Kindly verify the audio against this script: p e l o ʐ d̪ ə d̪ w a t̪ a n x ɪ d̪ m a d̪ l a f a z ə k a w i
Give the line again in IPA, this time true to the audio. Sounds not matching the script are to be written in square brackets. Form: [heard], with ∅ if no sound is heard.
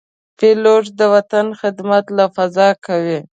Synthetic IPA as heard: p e l o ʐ d̪ ə [∅] w a t̪ a n x ɪ d̪ m a [t̪] l a f a z [ɑ] k a w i